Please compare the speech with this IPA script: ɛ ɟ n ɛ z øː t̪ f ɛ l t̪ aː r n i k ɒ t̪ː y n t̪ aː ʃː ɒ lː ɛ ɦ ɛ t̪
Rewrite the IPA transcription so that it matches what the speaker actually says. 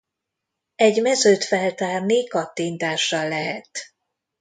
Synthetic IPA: ɛ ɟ m ɛ z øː t̪ f ɛ l t̪ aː r n i k ɒ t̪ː i n t̪ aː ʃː ɒ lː ɛ ɦ ɛ t̪